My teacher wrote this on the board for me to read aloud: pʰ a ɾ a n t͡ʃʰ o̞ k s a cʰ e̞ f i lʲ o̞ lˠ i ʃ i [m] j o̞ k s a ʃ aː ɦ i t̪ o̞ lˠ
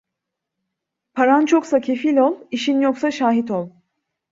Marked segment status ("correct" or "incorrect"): incorrect